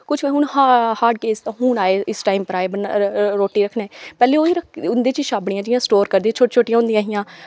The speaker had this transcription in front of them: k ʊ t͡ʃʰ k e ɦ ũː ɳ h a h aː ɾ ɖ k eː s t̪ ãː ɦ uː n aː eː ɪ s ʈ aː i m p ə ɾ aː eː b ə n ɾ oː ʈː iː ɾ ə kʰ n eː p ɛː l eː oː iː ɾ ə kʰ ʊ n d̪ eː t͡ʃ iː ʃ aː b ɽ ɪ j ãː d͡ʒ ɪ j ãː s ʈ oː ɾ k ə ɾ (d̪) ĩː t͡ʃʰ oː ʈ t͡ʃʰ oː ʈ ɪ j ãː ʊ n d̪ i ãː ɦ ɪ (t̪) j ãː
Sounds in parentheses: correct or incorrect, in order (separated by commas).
correct, incorrect